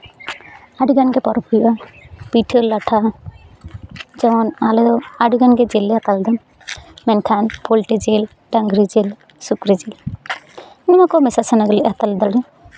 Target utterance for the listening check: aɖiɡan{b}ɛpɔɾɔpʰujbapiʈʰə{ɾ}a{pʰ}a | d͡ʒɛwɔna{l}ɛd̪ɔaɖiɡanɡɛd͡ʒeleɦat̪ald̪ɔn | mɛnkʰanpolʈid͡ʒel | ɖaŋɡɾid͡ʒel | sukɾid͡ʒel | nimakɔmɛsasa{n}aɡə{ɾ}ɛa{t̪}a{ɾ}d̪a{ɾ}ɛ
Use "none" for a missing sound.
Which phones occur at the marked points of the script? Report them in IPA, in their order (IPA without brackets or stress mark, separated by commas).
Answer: ɡ, l, ʈʰ, l, n, l, t̪, l, l